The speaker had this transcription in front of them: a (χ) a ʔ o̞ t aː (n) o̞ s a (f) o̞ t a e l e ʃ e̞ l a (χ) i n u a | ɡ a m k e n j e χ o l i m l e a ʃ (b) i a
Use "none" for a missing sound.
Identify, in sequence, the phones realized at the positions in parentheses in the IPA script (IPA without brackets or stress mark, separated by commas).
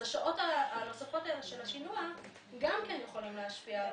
ʃ, n, f, ʃ, p